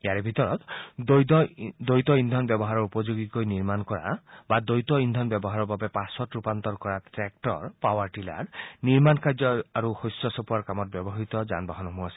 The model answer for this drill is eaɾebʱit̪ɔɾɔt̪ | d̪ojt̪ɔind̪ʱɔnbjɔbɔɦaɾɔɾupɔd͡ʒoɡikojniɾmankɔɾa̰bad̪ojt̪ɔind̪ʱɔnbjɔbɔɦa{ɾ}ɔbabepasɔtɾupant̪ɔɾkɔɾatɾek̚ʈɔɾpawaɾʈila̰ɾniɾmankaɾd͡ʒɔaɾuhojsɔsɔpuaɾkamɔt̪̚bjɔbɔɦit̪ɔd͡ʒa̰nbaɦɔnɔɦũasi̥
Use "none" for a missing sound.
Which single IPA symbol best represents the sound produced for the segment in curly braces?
ɾ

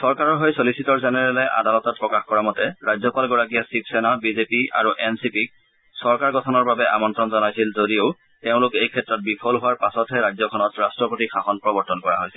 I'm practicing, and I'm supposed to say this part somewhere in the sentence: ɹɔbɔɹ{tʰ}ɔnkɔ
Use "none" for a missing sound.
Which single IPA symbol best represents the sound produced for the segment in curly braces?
t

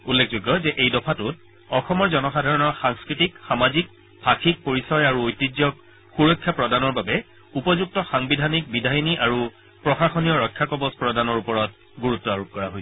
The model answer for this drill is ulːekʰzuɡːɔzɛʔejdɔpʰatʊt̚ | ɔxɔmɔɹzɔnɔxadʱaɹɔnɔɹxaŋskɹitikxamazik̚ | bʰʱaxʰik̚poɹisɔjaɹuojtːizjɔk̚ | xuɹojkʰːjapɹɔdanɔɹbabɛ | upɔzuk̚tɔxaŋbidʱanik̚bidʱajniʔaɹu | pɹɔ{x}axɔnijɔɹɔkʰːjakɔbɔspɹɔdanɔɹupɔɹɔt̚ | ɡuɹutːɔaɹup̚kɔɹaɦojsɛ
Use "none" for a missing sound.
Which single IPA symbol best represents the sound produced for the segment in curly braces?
x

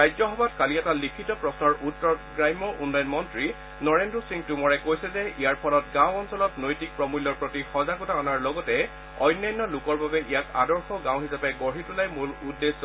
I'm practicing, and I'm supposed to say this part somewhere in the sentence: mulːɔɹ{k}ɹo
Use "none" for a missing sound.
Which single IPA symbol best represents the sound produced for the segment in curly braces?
p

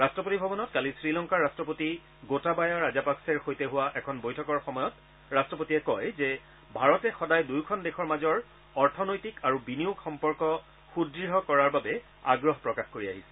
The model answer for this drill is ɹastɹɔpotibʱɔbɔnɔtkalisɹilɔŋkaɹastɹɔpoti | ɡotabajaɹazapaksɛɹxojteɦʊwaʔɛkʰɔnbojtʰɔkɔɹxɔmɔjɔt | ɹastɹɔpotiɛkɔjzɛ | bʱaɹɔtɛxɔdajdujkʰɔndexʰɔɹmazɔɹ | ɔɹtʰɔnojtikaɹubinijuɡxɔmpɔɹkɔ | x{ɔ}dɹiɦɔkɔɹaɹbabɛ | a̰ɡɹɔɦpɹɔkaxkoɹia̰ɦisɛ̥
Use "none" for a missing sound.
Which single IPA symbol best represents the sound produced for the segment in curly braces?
u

